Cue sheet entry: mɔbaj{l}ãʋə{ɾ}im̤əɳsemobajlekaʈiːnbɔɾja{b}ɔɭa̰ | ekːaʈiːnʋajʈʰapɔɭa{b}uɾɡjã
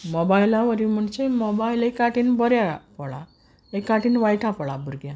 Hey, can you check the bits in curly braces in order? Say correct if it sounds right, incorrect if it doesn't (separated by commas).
correct, correct, incorrect, correct